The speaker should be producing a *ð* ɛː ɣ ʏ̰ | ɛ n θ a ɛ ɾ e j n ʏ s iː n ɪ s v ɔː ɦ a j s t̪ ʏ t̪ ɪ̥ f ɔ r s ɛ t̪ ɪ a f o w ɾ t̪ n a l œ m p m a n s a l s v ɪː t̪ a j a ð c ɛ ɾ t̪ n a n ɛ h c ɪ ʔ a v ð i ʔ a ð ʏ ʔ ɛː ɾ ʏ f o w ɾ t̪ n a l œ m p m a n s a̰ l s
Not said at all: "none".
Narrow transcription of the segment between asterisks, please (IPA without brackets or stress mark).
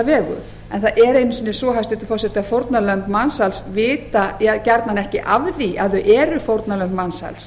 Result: v